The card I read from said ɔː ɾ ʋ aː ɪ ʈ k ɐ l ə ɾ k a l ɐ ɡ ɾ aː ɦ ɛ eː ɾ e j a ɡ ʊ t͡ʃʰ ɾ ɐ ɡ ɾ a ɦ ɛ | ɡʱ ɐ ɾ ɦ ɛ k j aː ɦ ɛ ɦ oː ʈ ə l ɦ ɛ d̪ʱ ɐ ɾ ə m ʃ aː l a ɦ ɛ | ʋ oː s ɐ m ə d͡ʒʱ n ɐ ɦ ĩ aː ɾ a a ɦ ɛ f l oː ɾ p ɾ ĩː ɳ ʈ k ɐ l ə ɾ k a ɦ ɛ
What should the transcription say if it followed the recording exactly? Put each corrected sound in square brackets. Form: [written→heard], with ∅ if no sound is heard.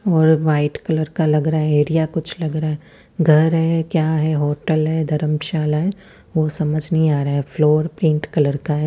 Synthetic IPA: ɔː ɾ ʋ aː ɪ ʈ k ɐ l ə ɾ k a l ɐ ɡ ɾ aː ɦ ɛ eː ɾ [e→i] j a [ɡ→k] ʊ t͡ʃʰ [ɾ→l] ɐ ɡ ɾ a ɦ ɛ | ɡʱ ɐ ɾ ɦ ɛ k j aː ɦ ɛ ɦ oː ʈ ə l ɦ ɛ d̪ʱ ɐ ɾ ə m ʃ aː l a ɦ ɛ | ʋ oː s ɐ m ə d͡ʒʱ n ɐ ɦ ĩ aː ɾ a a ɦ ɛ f l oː ɾ p ɾ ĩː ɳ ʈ k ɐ l ə ɾ k a ɦ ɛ